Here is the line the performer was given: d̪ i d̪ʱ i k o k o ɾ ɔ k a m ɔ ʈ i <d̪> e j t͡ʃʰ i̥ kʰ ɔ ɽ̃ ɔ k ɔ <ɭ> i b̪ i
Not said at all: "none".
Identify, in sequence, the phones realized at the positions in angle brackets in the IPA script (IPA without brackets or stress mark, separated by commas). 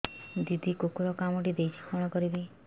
d̪, ɾ